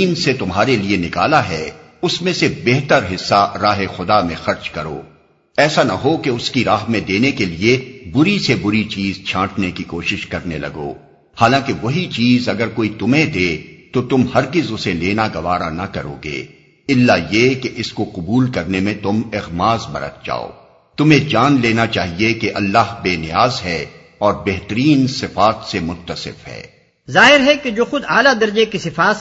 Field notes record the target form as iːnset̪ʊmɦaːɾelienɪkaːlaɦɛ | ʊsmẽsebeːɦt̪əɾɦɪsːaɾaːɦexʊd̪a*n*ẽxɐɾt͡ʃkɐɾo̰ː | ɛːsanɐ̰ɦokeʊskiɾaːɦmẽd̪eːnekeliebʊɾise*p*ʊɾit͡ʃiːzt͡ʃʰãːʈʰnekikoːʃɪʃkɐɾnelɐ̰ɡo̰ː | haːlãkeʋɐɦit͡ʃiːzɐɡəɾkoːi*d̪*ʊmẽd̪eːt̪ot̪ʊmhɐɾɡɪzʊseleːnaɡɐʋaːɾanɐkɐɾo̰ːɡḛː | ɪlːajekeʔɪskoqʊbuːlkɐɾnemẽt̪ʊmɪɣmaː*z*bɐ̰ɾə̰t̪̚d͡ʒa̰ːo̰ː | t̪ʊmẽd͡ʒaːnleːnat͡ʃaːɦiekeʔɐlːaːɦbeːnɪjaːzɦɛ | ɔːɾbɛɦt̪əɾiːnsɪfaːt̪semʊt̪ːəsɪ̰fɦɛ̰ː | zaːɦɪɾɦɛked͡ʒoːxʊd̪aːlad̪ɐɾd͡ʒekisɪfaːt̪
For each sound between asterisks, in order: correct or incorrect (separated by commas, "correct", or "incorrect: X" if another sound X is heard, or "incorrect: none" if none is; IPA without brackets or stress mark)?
incorrect: m, incorrect: b, incorrect: t̪, correct